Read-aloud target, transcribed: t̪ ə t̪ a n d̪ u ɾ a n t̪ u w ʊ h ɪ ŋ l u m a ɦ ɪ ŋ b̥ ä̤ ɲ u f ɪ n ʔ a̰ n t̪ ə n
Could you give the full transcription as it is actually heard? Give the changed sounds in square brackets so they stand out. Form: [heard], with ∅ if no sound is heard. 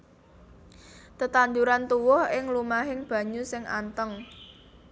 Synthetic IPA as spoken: t̪ ə t̪ a n d̪ u ɾ a n t̪ u w ʊ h ɪ ŋ l u m a ɦ ɪ ŋ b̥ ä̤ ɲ u [s] ɪ [ŋ] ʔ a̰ n t̪ ə [ŋ]